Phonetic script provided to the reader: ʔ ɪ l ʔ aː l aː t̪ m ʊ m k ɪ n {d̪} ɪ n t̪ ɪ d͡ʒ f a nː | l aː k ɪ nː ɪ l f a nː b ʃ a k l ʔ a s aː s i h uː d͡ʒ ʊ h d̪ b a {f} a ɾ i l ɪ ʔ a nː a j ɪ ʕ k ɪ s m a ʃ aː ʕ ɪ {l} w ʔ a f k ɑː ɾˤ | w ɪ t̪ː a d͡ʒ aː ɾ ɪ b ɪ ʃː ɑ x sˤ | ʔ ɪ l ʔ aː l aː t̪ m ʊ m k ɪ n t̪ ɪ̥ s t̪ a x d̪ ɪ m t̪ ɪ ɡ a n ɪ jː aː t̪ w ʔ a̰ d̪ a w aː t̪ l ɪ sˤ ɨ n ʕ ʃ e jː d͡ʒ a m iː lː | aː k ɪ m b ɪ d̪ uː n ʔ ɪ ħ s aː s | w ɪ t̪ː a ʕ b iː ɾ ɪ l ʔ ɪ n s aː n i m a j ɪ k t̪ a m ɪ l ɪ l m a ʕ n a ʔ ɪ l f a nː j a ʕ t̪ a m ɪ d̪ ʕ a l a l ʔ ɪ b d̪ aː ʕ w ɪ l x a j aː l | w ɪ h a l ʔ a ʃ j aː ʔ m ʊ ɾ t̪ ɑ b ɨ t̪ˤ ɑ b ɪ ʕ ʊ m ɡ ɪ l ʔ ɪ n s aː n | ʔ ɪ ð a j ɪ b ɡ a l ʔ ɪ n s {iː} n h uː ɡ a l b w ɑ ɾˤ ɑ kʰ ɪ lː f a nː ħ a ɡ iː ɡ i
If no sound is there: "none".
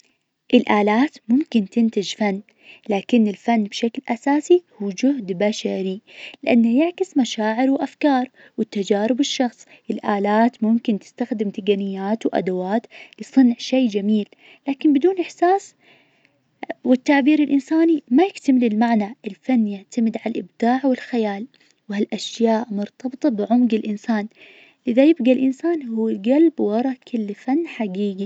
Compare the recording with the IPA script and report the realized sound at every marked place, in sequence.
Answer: t̪, ʃ, ɾ, aː

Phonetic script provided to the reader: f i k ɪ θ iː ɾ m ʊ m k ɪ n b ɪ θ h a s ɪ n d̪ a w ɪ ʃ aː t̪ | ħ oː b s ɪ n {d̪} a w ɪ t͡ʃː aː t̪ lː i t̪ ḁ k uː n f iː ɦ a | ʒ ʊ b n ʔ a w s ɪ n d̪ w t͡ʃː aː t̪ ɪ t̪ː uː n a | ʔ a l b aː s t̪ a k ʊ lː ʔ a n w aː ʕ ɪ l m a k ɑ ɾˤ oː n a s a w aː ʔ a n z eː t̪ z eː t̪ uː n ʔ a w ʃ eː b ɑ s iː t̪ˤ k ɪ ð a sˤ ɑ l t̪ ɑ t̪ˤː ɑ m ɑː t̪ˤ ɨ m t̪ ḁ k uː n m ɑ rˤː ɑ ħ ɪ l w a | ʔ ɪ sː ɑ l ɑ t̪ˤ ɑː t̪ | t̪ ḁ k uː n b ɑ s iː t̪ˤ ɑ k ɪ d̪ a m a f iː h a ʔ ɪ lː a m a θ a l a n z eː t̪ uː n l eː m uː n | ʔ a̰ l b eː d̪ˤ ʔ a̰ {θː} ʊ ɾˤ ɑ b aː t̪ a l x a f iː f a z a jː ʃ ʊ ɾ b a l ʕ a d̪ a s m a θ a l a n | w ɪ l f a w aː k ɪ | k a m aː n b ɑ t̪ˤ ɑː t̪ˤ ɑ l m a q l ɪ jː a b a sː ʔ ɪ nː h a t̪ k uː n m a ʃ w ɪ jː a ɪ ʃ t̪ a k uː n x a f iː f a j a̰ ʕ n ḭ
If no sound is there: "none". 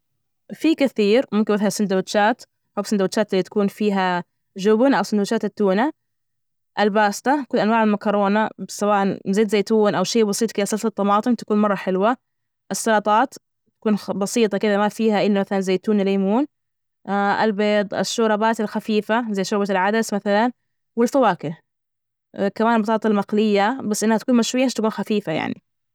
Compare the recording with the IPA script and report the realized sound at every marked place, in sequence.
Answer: d̪, ʃː

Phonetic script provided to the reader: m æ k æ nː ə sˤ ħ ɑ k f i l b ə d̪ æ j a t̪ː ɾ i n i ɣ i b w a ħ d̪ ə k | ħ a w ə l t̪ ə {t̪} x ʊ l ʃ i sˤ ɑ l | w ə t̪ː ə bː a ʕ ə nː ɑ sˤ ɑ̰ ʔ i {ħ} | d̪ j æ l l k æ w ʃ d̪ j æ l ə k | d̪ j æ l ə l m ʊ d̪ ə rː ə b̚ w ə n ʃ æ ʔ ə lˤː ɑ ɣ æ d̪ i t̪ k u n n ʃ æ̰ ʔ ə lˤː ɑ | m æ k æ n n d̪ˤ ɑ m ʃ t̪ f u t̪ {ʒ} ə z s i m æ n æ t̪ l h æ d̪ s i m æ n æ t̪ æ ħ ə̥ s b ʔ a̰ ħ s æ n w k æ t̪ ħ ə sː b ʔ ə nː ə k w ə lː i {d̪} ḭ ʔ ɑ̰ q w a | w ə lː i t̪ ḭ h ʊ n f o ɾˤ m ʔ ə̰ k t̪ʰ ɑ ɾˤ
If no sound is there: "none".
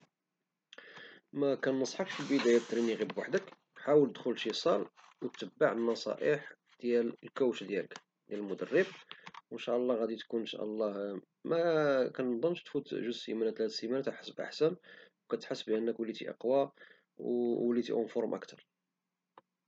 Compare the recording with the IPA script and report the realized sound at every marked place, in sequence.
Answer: d̪, ħ, ʒ, t̪

